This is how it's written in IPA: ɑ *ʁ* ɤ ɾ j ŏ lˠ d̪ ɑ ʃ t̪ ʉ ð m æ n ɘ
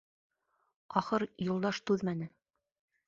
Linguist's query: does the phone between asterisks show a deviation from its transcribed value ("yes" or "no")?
yes